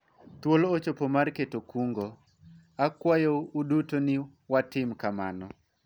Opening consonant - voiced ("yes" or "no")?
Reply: no